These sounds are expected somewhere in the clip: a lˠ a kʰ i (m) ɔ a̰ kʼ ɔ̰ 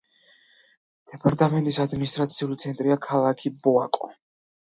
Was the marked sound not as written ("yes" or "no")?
yes